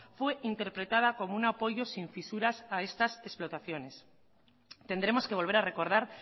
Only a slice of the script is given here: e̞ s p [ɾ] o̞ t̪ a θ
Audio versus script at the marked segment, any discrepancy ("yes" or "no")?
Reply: yes